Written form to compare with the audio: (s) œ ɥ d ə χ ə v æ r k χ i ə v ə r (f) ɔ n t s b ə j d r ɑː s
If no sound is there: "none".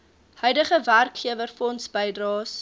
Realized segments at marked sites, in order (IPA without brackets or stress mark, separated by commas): h, f